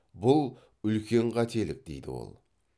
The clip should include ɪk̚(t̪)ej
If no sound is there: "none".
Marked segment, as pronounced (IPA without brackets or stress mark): d̪